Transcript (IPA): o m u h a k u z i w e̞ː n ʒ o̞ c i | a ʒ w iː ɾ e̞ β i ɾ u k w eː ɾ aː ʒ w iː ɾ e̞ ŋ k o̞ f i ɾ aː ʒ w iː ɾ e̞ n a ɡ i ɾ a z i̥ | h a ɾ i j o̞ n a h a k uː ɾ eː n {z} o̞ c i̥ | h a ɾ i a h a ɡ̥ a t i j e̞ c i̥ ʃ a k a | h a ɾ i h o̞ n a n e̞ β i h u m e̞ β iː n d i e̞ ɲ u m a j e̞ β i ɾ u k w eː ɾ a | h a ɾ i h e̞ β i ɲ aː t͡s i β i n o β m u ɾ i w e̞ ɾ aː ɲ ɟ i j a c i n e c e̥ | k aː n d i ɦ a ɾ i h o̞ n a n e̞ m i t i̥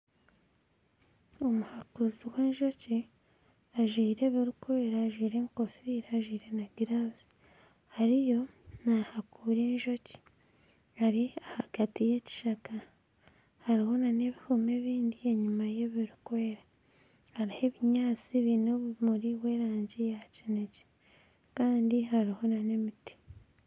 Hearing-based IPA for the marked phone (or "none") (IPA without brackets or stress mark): ʒ